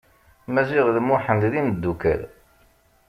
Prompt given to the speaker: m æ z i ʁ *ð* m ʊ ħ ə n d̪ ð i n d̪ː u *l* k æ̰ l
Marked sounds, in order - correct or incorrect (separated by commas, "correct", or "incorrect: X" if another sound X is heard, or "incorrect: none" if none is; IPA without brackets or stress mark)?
correct, incorrect: none